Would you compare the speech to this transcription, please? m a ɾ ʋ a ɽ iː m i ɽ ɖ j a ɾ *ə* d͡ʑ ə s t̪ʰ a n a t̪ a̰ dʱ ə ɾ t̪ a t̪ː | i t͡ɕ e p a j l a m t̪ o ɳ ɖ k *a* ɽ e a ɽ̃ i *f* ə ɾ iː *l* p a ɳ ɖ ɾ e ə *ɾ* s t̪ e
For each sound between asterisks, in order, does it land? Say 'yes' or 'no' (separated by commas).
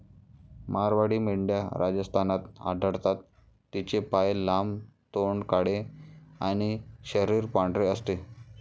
no, yes, no, no, no